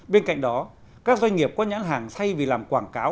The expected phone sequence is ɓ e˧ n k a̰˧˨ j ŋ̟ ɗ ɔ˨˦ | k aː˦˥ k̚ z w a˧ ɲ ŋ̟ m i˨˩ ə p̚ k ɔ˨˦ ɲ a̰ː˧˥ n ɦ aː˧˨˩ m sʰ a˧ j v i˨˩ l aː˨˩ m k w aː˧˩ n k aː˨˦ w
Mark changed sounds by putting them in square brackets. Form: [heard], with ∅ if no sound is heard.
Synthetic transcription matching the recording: ɓ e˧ n k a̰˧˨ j ŋ̟ ɗ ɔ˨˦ | k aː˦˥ k̚ z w a˧ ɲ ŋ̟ [ŋ] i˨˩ ə p̚ k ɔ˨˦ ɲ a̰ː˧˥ n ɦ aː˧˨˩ [ŋ] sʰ a˧ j v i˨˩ l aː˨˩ m k w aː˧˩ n k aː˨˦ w

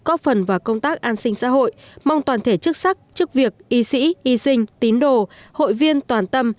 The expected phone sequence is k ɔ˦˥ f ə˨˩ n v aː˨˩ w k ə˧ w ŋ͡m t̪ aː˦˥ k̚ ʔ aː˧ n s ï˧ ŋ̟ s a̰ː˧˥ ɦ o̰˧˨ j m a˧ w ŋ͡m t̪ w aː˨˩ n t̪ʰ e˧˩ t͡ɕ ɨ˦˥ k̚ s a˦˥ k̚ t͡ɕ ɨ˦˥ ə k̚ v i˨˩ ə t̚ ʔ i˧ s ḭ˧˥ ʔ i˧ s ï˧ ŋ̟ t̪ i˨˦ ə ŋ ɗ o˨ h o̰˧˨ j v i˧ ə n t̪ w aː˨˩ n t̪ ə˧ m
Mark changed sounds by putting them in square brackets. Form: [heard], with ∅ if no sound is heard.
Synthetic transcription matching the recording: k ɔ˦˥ f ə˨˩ n v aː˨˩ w k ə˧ w ŋ͡m t̪ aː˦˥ k̚ ʔ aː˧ n s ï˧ ŋ̟ s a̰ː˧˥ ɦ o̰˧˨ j m a˧ w ŋ͡m t̪ w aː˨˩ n t̪ʰ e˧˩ t͡ɕ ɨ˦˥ k̚ s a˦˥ k̚ t͡ɕ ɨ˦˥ ə k̚ v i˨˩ ə [k̚] ʔ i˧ s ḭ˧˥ ʔ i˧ s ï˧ ŋ̟ t̪ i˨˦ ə [n] ɗ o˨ h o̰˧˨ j v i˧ ə n t̪ w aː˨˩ n t̪ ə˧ m

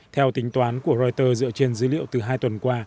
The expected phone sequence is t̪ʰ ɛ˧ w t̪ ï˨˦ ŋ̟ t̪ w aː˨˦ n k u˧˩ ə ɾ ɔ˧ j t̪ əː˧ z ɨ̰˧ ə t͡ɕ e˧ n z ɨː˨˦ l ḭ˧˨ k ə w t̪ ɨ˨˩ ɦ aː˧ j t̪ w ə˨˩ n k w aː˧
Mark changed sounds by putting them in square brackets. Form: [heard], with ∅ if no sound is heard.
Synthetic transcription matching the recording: t̪ʰ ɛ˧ w t̪ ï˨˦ ŋ̟ t̪ w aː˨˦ n k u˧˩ ə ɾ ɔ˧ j t̪ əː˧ z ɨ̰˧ ə t͡ɕ e˧ n z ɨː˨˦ l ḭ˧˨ [∅] ə w t̪ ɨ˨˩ ɦ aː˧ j t̪ w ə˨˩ n k w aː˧

